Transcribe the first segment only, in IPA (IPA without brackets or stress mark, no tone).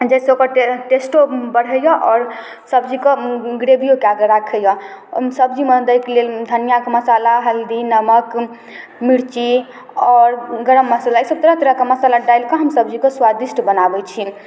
d͡ʒ